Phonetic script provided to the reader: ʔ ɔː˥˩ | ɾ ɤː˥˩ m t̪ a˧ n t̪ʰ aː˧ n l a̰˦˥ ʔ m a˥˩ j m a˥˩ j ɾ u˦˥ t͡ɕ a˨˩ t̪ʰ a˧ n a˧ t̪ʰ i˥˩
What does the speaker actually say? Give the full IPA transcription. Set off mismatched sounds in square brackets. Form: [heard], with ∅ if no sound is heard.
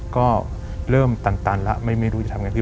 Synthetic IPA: [k] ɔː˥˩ | ɾ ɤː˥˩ m t̪ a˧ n [t̪] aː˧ n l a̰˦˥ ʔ m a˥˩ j m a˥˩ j ɾ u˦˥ t͡ɕ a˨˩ t̪ʰ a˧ [ŋ] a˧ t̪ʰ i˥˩